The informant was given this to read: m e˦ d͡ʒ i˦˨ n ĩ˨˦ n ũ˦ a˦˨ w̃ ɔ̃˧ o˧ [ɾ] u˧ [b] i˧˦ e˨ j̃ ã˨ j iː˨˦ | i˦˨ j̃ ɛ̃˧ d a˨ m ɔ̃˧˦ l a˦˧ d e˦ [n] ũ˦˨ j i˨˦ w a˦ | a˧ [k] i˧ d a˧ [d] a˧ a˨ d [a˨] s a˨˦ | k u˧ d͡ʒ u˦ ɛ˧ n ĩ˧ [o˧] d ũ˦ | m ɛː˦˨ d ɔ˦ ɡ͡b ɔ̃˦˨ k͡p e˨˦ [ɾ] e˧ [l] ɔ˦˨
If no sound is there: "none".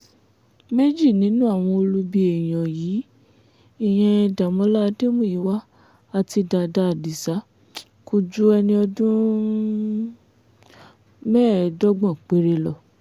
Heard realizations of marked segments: l, b, m, t, d, i˨, ɔ˧, ɾ, l

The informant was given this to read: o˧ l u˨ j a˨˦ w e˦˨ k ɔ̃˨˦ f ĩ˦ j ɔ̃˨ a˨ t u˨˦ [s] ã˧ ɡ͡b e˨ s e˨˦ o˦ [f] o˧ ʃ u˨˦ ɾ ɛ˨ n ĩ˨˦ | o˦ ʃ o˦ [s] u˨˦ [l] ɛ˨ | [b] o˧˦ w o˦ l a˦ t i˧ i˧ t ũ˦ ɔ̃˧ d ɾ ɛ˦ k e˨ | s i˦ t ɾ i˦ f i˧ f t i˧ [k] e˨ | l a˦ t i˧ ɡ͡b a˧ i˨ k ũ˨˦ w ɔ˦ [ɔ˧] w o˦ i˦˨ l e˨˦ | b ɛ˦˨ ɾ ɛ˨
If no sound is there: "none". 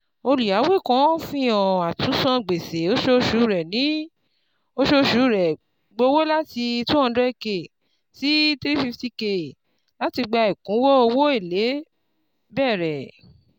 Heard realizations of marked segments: s, ʃ, ʃ, ɾ, ɡ͡b, k, o˧

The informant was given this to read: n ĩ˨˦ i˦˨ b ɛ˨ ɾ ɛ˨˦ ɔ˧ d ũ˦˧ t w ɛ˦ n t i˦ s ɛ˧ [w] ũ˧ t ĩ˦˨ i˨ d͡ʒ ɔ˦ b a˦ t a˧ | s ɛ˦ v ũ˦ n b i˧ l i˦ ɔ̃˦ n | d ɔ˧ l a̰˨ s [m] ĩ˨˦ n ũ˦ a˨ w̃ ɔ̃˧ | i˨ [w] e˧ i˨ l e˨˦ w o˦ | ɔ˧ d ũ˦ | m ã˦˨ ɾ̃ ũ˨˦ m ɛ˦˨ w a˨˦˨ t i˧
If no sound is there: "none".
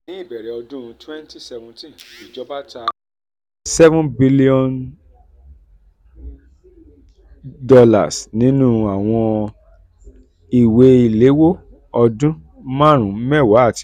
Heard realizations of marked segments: v, n, w

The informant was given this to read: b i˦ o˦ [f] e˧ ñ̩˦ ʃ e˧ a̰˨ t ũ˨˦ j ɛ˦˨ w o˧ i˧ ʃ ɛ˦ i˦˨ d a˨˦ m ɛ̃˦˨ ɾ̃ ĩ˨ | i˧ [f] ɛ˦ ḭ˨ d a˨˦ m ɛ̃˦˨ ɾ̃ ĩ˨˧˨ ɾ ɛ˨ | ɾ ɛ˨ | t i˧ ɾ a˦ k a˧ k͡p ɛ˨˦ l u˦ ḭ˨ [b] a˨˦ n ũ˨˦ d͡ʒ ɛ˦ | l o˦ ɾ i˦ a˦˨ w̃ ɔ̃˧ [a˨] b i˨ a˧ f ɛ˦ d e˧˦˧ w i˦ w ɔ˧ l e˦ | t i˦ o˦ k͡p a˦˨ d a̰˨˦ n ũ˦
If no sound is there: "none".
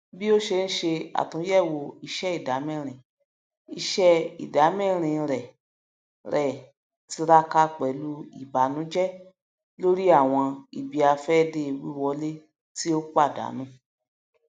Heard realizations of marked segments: ʃ, ʃ, b, i˨

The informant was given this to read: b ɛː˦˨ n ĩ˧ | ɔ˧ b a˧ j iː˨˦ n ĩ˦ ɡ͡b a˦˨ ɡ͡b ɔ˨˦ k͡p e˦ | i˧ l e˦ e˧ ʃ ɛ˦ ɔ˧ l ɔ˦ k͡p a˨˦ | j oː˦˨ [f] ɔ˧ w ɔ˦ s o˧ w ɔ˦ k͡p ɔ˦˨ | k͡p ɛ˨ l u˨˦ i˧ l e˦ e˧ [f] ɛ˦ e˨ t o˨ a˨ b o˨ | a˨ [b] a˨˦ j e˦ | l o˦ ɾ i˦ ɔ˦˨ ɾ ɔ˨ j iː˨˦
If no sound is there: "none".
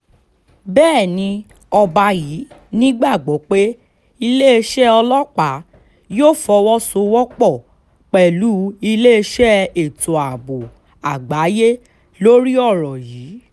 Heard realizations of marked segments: f, ʃ, ɡ͡b

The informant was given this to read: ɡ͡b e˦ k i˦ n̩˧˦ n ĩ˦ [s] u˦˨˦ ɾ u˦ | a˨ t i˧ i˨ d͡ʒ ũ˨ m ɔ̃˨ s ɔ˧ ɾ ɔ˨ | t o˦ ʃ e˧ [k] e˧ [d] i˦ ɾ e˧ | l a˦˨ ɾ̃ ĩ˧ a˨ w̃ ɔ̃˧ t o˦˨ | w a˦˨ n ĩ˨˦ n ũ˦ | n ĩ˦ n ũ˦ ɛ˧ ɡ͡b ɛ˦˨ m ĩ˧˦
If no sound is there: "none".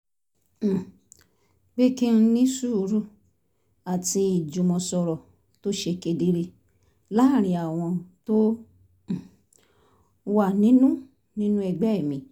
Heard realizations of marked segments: s, k, d

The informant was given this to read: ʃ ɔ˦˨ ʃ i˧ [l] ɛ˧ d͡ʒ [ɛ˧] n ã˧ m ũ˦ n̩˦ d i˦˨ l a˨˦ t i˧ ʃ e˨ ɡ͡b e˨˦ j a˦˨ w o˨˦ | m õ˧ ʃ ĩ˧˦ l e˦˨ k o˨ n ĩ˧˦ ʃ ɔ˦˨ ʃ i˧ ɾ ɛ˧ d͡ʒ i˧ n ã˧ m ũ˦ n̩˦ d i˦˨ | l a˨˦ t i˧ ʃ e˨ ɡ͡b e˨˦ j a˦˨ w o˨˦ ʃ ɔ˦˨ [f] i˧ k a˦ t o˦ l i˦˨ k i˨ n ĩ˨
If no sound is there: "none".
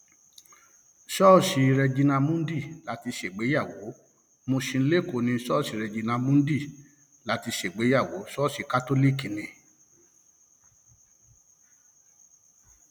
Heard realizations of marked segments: ɾ, i˧, ʃ

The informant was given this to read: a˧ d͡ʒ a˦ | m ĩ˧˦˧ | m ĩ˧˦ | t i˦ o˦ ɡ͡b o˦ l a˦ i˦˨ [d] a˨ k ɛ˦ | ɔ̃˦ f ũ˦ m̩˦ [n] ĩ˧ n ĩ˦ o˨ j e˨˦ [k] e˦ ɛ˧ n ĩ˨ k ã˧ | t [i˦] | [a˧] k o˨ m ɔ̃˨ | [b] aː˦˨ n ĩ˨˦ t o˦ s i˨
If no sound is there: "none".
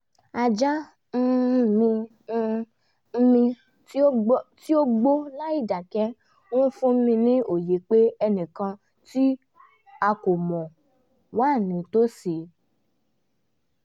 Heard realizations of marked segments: d, m, k͡p, i˦, a˧, w

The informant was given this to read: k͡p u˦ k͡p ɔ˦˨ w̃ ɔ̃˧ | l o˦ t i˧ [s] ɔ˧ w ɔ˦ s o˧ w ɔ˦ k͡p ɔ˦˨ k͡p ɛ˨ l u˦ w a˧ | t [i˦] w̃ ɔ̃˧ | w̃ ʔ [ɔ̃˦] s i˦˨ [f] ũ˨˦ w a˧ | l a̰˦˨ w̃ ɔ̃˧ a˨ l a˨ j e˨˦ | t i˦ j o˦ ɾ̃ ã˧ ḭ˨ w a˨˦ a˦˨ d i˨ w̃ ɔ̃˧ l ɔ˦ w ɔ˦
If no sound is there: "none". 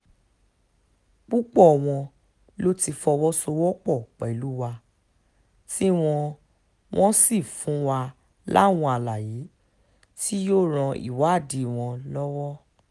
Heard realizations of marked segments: f, i˦, ɔ̃˦, f

